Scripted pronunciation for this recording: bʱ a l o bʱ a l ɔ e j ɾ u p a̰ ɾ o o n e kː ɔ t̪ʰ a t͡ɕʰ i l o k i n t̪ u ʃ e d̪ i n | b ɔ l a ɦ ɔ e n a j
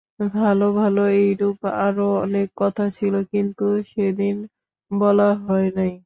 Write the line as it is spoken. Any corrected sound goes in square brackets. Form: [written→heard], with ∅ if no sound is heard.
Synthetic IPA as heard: bʱ a l o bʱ a l [ɔ→o] e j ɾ u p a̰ ɾ o [o→ɔ] n e kː ɔ t̪ʰ a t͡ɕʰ i l o k i n t̪ u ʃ e d̪ i n | b ɔ l a ɦ ɔ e n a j